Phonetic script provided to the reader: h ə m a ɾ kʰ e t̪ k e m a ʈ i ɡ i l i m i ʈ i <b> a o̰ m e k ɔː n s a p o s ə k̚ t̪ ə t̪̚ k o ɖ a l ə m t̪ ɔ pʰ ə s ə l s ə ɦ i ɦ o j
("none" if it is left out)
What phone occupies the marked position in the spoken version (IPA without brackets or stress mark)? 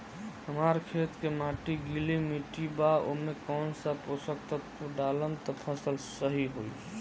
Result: b